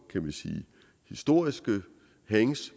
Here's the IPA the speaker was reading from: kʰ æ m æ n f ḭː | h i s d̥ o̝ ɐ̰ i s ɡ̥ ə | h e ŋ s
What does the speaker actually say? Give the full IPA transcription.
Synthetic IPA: kʰ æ m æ n s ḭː | h i s d̥ o̝ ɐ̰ i s ɡ̥ ə | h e ŋ s

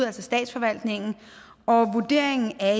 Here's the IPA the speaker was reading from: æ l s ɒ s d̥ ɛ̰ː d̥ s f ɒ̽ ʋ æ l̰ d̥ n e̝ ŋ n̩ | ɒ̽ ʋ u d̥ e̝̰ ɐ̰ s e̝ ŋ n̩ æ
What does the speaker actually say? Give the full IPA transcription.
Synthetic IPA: æ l s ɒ s d̥ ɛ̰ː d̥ s f ɒ̽ ʋ æ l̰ d̥ n e̝ ŋ n̩ | ɒ̽ ʋ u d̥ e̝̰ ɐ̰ e̝ ŋ n̩ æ

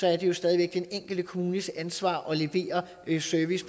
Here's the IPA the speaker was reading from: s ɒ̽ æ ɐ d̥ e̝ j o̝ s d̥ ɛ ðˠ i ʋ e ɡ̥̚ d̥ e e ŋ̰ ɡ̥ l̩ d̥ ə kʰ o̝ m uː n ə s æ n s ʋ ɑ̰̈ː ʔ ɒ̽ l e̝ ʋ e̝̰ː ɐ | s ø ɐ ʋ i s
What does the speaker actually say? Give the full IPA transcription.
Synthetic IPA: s ɒ̽ æ ɐ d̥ e̝ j o̝ s d̥ ɛ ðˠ i ʋ e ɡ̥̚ d̥ e e ŋ̰ ɡ̥ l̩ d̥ ə kʰ o̝ m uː n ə s æ n s ʋ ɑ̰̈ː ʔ ɒ̽ l e̝ ʋ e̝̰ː ɐ | s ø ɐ ʋ i s

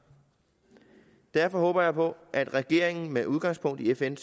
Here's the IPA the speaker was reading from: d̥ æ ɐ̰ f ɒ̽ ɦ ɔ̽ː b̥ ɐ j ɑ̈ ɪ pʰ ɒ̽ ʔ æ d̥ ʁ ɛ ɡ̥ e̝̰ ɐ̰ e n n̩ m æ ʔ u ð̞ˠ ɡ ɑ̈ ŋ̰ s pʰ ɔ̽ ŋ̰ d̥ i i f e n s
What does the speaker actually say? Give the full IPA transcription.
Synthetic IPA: d̥ æ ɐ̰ f ɒ̽ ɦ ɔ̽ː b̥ ɐ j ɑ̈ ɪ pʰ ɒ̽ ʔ æ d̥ ʁ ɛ ɡ̥ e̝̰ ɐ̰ e ŋ n̩ m e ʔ u ð̞ˠ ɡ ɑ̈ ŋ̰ s pʰ ɔ̽ ŋ̰ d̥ i e f e n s

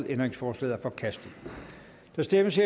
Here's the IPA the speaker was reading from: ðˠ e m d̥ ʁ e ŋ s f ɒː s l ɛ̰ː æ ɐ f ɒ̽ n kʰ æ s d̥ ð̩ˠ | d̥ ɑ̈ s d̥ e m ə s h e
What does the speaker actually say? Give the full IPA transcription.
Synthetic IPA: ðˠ e n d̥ ʁ e ŋ s f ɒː s l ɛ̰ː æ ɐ f ɒ̽ kʰ æ s d̥ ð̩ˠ | d̥ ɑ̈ s d̥ e m ə s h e

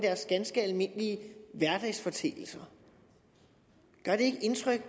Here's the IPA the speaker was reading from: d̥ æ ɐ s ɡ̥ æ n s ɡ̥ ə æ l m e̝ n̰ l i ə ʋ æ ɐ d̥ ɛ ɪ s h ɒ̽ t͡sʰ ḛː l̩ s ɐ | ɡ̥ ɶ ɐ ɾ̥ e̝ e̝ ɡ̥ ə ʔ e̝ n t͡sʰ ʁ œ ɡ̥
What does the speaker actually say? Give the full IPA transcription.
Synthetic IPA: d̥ æ ɐ s ɡ̥ æ n s ɡ̥ ə æ l m e̝ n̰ l i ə ʋ æ ɐ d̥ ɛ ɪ s f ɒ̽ t͡sʰ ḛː l̩ s ɐ | ɡ̥ ɶ ɐ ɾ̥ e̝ e̝ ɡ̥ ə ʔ e̝ n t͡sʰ ʁ œ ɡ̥

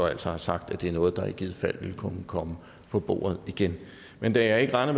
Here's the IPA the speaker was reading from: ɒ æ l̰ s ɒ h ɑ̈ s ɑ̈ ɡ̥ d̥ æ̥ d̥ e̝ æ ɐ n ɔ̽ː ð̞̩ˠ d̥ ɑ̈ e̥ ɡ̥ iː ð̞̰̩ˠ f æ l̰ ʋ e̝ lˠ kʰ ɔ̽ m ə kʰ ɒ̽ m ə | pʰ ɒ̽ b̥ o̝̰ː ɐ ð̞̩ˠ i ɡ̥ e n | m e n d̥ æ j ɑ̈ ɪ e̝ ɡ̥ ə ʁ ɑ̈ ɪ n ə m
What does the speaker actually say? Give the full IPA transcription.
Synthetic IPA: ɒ æ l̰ s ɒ h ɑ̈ s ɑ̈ ɡ̥ d̥ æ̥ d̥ e̝ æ ɐ n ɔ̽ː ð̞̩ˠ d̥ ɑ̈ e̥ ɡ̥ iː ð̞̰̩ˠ f æ l̰ ʋ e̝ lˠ kʰ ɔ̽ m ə kʰ ɒ̽ m ə | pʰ ɒ̽ b̥ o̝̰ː ɐ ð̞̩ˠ i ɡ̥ e n | m e n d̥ æ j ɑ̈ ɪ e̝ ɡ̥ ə ʁ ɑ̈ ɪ n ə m

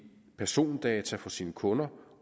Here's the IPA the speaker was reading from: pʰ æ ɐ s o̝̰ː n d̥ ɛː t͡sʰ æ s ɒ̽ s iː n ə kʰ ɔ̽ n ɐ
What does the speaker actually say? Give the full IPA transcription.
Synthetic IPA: pʰ æ ɐ s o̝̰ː n d̥ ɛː t͡sʰ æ f ɒ̽ s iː n ə kʰ ɔ̽ n ɐ

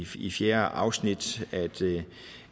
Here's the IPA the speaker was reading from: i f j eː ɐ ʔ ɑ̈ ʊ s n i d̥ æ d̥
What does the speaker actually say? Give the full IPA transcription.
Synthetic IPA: i f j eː ɐ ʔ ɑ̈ ʊ s n i d̥ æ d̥

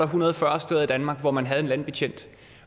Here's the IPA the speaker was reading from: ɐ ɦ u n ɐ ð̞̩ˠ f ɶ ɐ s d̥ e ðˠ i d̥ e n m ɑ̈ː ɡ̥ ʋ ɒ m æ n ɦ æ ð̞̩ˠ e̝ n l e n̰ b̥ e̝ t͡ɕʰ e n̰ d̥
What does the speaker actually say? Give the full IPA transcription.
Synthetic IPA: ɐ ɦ u n ɐ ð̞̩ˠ f ɶ ɐ s d̥ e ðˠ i d̥ æ n m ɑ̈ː ɡ̥ ʋ ɒ m æ n ɦ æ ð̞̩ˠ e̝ n l æ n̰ b̥ e̝ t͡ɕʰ e n̰ d̥

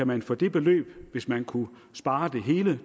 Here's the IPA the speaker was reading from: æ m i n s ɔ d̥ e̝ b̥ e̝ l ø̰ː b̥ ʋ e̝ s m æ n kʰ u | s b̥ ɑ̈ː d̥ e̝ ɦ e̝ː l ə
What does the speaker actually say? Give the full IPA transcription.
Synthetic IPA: æ m æ n f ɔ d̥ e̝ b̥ e̝ l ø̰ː b̥ ʋ e̝ s m æ n kʰ u | s b̥ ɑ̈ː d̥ e̝ ɦ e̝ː l ə

